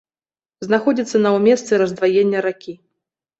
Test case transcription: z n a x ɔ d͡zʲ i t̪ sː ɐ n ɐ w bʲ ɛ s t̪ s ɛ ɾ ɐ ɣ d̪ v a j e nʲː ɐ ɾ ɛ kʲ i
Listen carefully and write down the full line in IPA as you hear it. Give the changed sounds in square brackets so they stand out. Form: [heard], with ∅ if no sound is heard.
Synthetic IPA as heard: z n a x ɔ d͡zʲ i t̪ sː ɐ n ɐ w [mʲ] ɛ s t̪ s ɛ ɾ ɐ [z] d̪ v a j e nʲː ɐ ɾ [a] kʲ i

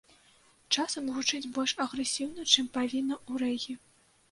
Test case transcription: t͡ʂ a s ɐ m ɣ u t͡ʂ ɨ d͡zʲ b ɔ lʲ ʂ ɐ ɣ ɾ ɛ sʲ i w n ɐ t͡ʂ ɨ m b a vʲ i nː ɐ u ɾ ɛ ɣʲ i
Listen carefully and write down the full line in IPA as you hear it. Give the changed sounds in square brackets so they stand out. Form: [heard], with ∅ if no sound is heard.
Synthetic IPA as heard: t͡ʂ a s ɐ m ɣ u t͡ʂ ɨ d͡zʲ b ɔ lʲ ʂ ɐ ɣ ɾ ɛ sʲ i w n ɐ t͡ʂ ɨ m [p] a vʲ i nː ɐ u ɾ ɛ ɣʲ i

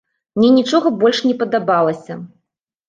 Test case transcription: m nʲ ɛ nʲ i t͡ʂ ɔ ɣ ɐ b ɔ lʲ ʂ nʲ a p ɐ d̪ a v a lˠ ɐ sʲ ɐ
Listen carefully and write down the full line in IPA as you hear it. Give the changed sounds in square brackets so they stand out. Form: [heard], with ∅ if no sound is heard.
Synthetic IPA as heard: m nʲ ɛ nʲ i t͡ʂ ɔ ɣ ɐ b ɔ lʲ ʂ nʲ [ɛ] p ɐ d̪ a [b] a lˠ ɐ sʲ ɐ

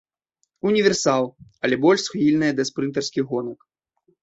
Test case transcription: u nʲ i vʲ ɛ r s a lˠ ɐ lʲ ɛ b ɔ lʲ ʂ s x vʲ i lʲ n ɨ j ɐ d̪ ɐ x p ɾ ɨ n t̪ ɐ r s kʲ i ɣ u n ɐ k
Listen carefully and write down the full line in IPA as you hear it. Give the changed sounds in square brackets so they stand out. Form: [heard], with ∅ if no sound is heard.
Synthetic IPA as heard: u nʲ i vʲ ɛ r s a lˠ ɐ lʲ ɛ b ɔ lʲ ʂ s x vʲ i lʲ n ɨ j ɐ d̪ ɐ [s] p ɾ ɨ n t̪ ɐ r s kʲ i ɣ [ɔ] n ɐ k

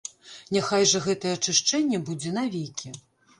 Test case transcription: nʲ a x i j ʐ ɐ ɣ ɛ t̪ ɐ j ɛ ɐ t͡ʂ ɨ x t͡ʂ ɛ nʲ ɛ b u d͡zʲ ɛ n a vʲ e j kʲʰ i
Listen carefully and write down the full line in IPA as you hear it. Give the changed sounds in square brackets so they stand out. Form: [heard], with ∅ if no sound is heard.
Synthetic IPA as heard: nʲ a x [a] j ʐ ɐ ɣ ɛ t̪ ɐ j ɛ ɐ t͡ʂ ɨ [ʂ] t͡ʂ ɛ [nʲː] ɛ b u d͡zʲ ɛ n a vʲ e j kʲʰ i

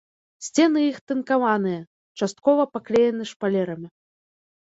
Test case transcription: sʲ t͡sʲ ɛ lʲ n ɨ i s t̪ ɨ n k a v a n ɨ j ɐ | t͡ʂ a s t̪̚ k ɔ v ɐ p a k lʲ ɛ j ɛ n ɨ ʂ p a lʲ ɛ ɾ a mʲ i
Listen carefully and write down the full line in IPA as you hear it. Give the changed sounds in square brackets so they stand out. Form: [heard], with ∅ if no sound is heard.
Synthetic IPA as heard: sʲ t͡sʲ ɛ [∅] n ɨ i [x] t̪ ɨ n k a v a n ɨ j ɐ | t͡ʂ a s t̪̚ k ɔ v ɐ p a k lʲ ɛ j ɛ n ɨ ʂ p a lʲ ɛ ɾ [ɐ] mʲ i

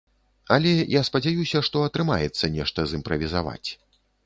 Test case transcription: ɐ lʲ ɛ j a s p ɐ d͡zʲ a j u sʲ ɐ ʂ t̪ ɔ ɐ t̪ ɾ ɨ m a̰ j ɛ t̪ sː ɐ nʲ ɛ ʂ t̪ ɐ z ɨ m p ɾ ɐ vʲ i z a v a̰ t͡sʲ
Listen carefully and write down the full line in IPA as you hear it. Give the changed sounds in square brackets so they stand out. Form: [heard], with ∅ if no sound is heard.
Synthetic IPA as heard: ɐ lʲ ɛ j a s p ɐ d͡zʲ a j u sʲ ɐ ʂ t̪ ɔ ɐ t̪ ɾ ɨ m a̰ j ɛ t̪ sː ɐ nʲ ɛ ʂ t̪ ɐ z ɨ m p ɾ ɐ vʲ i z a v a̰ t͡sʲ

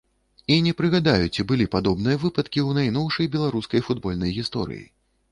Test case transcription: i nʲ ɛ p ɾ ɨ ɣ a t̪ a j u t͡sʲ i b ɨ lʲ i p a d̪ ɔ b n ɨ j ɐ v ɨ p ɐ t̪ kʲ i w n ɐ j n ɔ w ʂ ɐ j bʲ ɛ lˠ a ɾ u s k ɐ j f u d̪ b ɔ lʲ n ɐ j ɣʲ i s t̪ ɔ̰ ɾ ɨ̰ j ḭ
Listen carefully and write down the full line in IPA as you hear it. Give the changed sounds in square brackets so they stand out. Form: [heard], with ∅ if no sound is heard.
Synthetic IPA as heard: i nʲ ɛ p ɾ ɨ ɣ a [d̪] a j u t͡sʲ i b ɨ lʲ i p a d̪ ɔ b n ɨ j ɐ v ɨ p ɐ t̪ kʲ i w n [a] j n ɔ w ʂ ɐ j bʲ ɛ lˠ a ɾ u s k ɐ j f u d̪ b ɔ lʲ n ɐ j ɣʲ i s t̪ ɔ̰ ɾ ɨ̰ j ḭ

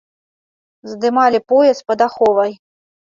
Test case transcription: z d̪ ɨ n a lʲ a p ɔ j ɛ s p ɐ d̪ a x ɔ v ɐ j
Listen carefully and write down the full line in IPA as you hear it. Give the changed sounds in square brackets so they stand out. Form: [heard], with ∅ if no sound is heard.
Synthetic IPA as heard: z d̪ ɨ [m] a lʲ [i] p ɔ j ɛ s p ɐ d̪ a x ɔ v ɐ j

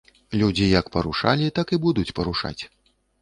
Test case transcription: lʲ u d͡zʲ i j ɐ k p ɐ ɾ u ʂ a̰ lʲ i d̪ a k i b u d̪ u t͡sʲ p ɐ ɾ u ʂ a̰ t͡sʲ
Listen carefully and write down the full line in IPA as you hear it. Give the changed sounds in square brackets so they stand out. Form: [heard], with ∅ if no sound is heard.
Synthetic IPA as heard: lʲ u d͡zʲ i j ɐ k p ɐ ɾ u ʂ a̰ lʲ i [t̪] a k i b u d̪ u t͡sʲ p ɐ ɾ u ʂ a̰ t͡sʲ

